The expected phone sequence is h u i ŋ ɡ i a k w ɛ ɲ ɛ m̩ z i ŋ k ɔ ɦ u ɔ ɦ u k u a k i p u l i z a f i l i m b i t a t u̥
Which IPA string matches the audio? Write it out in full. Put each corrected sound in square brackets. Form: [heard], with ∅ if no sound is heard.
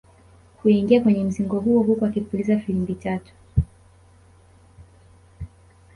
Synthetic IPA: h u i ŋ ɡ i a k w ɛ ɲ ɛ m̩ z i ŋ [ɡ] ɔ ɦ u ɔ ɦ u k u a k i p u l i z a f i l i m b i t a t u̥